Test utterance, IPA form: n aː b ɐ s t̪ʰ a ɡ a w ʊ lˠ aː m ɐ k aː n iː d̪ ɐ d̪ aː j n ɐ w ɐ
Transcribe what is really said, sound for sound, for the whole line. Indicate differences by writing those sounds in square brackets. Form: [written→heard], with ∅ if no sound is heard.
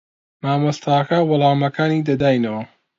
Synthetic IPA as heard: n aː [b→m] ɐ s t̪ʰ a [ɡ→k] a w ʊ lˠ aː m ɐ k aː n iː d̪ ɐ d̪ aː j n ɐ w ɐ